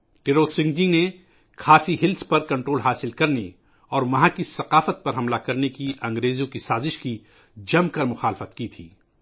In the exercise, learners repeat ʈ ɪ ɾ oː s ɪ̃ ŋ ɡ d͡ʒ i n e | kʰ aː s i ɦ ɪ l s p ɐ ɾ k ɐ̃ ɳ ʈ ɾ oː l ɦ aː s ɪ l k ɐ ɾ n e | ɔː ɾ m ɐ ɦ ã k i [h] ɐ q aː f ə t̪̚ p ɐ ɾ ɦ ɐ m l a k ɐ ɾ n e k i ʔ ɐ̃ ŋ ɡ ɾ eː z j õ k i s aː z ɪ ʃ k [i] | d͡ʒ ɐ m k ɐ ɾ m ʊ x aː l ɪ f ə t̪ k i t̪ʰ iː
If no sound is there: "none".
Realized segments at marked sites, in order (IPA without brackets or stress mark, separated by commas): s, i